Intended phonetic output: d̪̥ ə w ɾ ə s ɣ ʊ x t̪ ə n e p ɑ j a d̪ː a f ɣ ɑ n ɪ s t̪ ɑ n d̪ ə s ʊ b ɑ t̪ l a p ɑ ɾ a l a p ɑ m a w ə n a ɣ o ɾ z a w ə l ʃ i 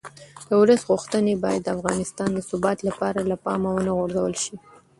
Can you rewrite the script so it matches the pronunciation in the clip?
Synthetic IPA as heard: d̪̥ ə w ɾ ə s ɣ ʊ x t̪ ə n e b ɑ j a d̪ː a f ɣ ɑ n ɪ s t̪ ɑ n d̪ ə s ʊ b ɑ t̪ l a p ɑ ɾ a l a p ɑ m a w ə n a ɣ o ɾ z a w ə l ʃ i